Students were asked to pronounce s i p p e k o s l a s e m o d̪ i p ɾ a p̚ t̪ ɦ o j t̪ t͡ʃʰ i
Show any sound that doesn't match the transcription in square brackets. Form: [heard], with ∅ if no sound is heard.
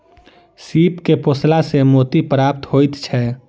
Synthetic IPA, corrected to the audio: s i p [k] e [p] o s l a s e m o [t̪] i p ɾ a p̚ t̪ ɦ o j t̪ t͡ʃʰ [ɛ]